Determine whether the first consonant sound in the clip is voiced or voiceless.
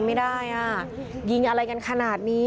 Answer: voiced